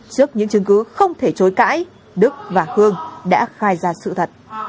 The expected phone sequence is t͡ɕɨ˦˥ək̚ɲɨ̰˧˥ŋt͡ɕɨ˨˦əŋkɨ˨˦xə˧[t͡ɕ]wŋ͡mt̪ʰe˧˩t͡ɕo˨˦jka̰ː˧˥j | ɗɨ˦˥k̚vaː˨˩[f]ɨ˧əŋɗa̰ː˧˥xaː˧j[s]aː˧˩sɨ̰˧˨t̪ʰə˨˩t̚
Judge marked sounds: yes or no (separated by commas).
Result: no, no, no